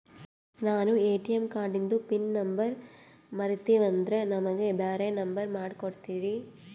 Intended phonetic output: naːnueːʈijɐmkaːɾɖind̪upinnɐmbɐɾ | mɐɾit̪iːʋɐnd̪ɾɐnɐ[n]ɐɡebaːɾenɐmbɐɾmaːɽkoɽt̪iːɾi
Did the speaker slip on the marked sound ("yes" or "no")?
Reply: yes